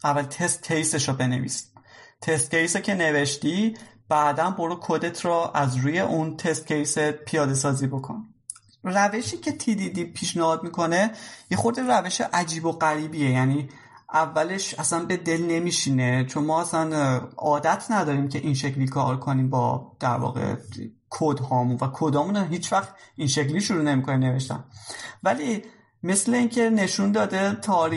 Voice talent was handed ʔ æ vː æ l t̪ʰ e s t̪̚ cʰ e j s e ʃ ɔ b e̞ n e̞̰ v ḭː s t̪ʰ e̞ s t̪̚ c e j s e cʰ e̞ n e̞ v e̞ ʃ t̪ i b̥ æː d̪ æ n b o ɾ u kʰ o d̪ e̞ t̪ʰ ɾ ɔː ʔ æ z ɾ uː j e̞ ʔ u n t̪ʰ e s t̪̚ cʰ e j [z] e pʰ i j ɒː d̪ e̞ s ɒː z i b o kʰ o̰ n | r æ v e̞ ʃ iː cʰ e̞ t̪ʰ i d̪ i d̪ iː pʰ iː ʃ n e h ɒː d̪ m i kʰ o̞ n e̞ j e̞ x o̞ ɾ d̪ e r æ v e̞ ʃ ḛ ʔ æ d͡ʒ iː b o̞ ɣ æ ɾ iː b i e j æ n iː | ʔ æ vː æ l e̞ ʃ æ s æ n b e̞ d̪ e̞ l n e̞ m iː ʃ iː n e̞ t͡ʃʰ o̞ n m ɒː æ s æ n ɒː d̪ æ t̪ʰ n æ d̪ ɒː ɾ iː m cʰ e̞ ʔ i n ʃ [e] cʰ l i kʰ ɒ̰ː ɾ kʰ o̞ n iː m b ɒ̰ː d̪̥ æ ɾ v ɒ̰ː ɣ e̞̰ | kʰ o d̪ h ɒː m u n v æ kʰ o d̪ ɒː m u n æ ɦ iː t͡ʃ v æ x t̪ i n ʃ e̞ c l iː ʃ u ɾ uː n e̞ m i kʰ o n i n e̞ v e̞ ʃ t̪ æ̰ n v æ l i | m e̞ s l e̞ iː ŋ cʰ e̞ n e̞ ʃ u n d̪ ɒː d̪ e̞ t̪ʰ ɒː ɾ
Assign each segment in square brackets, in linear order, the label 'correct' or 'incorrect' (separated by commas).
incorrect, correct